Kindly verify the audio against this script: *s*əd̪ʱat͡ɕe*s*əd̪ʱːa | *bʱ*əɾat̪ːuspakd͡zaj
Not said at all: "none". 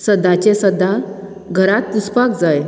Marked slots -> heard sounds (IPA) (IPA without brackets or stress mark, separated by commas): s, s, ɡʱ